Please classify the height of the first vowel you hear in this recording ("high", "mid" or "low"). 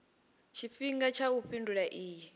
high